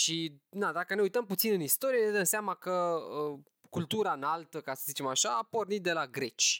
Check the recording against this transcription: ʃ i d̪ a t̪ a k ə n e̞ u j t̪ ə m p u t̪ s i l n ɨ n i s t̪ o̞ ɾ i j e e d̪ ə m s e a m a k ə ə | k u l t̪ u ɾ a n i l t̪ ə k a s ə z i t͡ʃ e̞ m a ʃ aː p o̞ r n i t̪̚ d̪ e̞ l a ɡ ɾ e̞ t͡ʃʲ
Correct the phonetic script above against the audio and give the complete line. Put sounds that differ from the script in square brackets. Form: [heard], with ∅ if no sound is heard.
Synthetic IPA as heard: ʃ i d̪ a [d̪] a k ə n e̞ u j t̪ ə m p u t̪ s i [∅] n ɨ n i s t̪ o̞ ɾ i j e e d̪ ə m s e a m a k ə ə | k u l t̪ u ɾ a n [a] l t̪ ə k a s ə z i t͡ʃ e̞ m a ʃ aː p o̞ r n i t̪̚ d̪ e̞ l a ɡ ɾ e̞ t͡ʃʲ